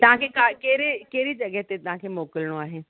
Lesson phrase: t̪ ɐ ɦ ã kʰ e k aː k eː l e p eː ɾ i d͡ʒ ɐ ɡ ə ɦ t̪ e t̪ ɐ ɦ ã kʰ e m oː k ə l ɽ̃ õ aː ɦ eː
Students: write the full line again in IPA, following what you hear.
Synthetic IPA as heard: t̪ ɐ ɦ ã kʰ e k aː k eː ɾ e k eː ɾ i d͡ʒ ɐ ɡ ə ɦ t̪ e t̪ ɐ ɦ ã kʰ e m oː k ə l ɽ̃ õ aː ɦ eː